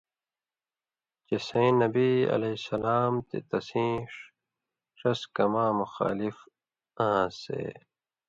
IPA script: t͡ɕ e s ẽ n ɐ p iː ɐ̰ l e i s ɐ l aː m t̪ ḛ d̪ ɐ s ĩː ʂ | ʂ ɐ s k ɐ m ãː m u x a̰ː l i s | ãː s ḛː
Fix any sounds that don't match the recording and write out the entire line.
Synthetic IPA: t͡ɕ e s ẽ n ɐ b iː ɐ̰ l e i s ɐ l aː m t̪ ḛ t̪ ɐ s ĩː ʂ | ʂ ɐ s k ɐ m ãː m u x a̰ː l i f | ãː s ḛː